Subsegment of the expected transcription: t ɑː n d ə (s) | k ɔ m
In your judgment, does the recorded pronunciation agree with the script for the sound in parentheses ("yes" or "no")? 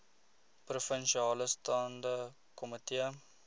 no